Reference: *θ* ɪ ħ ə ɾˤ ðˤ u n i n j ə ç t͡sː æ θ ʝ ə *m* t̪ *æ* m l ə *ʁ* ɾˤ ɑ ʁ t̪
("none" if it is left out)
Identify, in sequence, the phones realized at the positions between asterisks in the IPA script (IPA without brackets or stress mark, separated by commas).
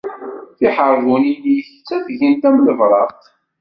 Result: θ, n, æ, v